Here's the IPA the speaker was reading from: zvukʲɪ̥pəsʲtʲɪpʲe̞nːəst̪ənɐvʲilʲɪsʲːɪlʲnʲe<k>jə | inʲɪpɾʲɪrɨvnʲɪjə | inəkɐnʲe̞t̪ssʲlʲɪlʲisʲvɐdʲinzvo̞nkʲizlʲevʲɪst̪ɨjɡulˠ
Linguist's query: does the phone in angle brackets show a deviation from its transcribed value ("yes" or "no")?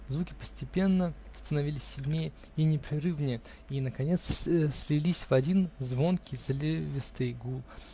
yes